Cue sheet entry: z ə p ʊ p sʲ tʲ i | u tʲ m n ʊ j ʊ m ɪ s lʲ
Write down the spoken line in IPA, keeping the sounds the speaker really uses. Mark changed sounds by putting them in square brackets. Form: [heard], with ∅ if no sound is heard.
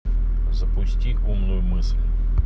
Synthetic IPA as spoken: z [ɐ] p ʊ [∅] sʲ tʲ i | u [∅] m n ʊ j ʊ m ɪ s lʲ